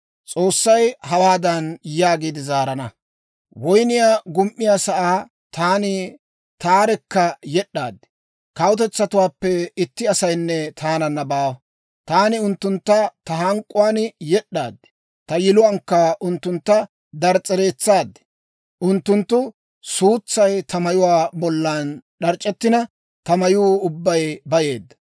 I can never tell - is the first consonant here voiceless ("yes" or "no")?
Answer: yes